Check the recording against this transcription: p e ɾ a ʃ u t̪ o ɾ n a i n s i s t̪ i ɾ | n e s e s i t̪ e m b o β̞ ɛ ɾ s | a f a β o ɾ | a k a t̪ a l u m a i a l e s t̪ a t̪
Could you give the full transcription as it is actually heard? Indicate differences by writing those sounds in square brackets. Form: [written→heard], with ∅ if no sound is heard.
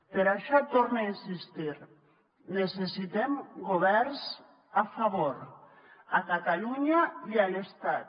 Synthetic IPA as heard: p e ɾ a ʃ [u→ɔ] t̪ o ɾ n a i n s i s t̪ i ɾ | n e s e s i t̪ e m [b→ɡ] o β̞ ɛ ɾ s | a f a β o ɾ | a k a t̪ a l u [m→ɲ] a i a l e s t̪ a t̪